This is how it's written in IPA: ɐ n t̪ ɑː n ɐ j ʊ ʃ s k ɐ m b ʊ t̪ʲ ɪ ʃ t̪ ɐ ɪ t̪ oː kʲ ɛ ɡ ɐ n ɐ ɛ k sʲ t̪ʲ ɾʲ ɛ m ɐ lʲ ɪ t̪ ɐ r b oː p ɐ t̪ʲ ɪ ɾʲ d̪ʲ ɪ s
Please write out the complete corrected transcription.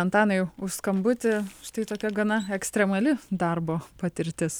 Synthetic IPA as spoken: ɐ n t̪ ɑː n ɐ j ʊ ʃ s k ɐ m b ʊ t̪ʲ ɪ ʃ t̪ ɐ ɪ t̪ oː kʲ ɛ ɡ ɐ n ɐ ɛ k sʲ t̪ʲ ɾʲ ɛ m ɐ lʲ ɪ d̪ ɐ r b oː p ɐ t̪ʲ ɪ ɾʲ t̪ʲ ɪ s

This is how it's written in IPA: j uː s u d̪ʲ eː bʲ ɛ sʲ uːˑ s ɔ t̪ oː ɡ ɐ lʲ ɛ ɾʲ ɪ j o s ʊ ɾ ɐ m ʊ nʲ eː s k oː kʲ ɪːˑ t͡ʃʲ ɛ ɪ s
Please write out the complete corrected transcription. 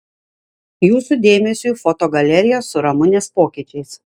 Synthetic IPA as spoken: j uː s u d̪ʲ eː mʲ ɛ sʲ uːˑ f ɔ t̪ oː ɡ ɐ lʲ ɛ ɾʲ ɪ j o s ʊ ɾ ɐ m ʊ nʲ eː s p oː kʲ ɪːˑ t͡ʃʲ ɛ ɪ s

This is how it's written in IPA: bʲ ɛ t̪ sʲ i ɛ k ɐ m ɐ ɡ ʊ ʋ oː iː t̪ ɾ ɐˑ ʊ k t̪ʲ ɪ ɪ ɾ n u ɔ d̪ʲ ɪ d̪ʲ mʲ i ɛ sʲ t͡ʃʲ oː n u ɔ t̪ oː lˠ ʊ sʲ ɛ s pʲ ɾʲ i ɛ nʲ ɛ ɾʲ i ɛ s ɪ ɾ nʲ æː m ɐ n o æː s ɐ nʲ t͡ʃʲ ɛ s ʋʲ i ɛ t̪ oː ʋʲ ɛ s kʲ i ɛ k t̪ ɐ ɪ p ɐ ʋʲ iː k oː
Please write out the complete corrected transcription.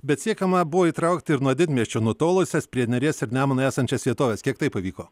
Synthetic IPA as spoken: bʲ ɛ t̪ sʲ i ɛ k ɐ m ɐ b ʊ ʋ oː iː t̪ ɾ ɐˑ ʊ k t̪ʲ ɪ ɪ ɾ n u ɔ d̪ʲ ɪ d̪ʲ mʲ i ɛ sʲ t͡ʃʲ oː n u ɔ t̪ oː lˠ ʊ sʲ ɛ s pʲ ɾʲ i ɛ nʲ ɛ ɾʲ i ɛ s ɪ ɾ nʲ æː m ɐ n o æː s ɐ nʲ t͡ʃʲ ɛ s ʋʲ i ɛ t̪ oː ʋʲ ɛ s kʲ i ɛ k t̪ ɐ ɪ p ɐ ʋʲ iː k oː

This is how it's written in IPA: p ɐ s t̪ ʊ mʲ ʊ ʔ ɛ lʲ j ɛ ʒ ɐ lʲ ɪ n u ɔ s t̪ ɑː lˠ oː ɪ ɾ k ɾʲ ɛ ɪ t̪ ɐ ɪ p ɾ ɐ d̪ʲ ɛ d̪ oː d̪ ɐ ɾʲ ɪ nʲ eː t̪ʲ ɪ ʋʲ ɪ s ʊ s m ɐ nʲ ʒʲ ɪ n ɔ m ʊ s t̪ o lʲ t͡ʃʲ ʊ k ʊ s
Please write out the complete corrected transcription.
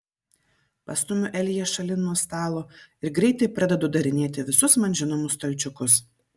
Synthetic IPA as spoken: p ɐ s t̪ ʊ mʲ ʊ ʔ ɛ lʲ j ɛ ʃ ɐ lʲ ɪ n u ɔ s t̪ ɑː lˠ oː ɪ ɾ ɡ ɾʲ ɛ ɪ t̪ ɐ ɪ p ɾ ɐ d̪ʲ ɛ d̪ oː d̪ ɐ ɾʲ ɪ nʲ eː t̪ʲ ɪ ʋʲ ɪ s ʊ s m ɐ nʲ ʒʲ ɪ n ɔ m ʊ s t̪ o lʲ t͡ʃʲ ʊ k ʊ s

